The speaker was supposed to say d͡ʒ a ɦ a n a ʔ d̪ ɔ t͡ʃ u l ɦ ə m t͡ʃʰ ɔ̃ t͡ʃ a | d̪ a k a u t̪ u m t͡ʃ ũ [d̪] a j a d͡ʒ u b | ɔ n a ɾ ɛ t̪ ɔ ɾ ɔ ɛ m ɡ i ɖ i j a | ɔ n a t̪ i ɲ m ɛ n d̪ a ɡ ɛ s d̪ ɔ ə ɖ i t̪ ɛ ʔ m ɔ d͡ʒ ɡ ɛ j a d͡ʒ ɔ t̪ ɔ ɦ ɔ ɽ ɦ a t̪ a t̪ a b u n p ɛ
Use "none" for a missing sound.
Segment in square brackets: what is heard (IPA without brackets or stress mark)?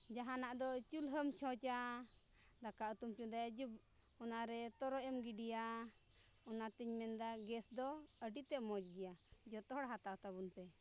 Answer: d̪